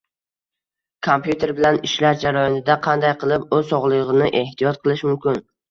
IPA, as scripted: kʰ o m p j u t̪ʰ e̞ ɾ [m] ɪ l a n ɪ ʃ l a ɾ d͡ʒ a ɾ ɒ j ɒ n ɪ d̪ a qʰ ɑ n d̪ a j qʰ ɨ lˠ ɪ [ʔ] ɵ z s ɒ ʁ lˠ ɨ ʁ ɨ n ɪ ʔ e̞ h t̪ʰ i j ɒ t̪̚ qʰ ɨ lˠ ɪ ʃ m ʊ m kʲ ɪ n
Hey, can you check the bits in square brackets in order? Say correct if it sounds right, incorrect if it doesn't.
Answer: incorrect: b, incorrect: p

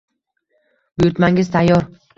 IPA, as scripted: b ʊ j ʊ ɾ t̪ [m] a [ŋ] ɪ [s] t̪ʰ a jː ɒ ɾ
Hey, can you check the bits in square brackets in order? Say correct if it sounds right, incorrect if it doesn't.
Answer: correct, correct, incorrect: z

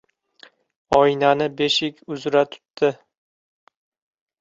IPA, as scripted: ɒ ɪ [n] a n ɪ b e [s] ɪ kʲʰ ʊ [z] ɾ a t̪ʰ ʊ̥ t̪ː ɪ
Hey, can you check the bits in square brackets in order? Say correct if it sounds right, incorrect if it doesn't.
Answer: correct, incorrect: ʃ, correct

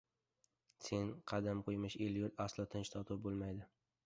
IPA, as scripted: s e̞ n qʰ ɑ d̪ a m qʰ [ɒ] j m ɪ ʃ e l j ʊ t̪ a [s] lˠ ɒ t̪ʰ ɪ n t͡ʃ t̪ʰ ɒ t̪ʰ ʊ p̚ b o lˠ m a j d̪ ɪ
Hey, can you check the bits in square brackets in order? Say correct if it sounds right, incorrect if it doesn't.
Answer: incorrect: o, correct

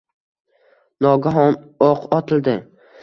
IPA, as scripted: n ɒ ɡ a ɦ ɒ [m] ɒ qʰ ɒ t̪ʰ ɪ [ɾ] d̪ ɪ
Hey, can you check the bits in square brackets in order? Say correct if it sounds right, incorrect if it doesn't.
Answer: incorrect: n, incorrect: l

